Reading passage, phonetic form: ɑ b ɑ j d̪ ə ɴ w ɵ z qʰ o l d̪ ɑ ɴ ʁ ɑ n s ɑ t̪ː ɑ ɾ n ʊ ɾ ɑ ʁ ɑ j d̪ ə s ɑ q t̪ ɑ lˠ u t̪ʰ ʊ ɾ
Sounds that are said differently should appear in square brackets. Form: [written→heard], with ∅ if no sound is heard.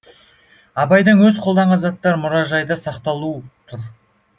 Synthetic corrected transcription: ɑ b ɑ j d̪ ə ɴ w ɵ z qʰ o l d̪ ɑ ɴ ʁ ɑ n [s→z] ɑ t̪ː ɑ ɾ [n→m] ʊ ɾ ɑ [ʁ→ʒ] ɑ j d̪ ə s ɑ q t̪ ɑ lˠ u t̪ʰ ʊ ɾ